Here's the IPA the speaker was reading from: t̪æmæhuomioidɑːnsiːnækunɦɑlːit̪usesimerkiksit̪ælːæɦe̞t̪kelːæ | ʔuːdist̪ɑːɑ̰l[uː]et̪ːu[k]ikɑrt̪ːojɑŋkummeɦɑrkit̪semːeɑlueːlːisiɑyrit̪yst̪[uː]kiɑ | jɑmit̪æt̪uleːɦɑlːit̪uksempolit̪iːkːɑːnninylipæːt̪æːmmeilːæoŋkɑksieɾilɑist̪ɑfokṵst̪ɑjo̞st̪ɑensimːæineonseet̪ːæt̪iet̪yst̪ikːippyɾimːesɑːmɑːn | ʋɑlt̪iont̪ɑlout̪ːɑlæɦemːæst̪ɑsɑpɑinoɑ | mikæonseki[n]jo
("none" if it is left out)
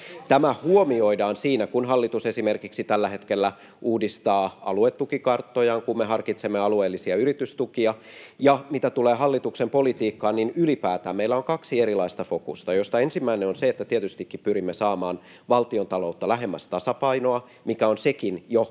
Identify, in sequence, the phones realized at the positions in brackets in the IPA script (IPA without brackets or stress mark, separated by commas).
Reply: u, k, u, n